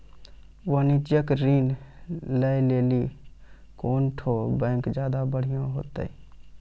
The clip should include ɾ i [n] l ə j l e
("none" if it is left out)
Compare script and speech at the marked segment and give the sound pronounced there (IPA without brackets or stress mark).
n